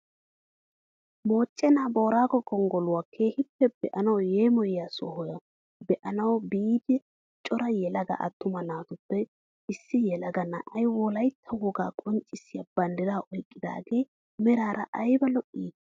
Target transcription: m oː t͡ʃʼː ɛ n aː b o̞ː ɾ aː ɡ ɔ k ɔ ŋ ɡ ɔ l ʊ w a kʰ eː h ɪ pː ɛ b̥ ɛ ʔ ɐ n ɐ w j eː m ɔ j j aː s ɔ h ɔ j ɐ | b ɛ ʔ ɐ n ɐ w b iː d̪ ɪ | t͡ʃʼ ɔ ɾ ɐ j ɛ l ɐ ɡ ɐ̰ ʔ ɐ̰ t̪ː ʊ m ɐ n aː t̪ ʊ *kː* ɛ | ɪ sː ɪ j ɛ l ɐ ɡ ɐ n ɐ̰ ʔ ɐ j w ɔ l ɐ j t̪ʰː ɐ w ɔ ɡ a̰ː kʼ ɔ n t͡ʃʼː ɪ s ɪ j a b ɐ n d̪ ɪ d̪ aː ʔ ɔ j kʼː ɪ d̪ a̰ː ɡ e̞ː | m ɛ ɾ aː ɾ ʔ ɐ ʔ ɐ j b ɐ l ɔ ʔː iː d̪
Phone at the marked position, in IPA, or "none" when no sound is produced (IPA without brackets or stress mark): pː